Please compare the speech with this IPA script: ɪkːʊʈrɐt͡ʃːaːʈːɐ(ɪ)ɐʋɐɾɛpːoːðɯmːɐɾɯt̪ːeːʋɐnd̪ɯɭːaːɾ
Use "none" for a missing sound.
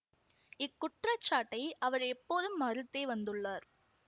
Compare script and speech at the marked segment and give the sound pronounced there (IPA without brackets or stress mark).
ɪ